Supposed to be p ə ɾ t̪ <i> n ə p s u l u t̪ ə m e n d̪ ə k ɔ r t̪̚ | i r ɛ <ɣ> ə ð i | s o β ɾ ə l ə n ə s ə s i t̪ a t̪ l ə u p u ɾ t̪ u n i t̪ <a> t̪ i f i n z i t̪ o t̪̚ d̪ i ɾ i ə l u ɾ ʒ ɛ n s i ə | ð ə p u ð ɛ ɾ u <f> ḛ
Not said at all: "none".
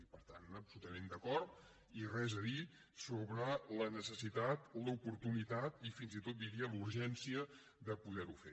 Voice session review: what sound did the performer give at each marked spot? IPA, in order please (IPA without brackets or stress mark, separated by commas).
a, z, a, f